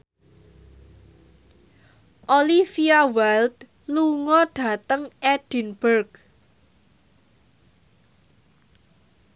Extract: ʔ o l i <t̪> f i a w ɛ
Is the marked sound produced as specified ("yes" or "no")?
no